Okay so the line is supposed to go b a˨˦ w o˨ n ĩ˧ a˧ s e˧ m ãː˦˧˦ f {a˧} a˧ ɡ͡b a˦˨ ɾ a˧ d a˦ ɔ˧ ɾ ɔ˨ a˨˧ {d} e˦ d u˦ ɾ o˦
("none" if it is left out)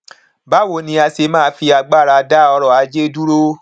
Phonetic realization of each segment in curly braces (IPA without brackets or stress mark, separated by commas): i˧, d͡ʒ